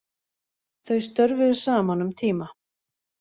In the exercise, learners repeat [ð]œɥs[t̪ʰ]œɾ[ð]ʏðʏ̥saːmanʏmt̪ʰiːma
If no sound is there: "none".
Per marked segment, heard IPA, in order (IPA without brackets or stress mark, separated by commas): θ, t̪, v